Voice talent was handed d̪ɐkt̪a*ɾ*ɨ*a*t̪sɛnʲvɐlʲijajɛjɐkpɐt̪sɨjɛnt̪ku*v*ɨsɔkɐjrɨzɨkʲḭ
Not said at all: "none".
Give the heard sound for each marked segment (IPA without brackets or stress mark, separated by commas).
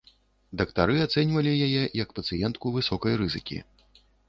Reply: ɾ, a, v